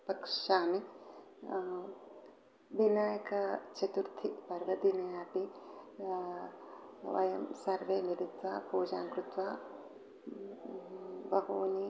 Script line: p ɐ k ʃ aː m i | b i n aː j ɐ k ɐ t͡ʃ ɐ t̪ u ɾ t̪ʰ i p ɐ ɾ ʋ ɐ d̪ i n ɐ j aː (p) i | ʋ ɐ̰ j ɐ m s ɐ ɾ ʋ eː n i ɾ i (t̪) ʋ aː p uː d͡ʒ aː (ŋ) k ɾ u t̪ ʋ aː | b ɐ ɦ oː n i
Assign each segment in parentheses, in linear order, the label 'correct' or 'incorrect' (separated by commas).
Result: correct, correct, correct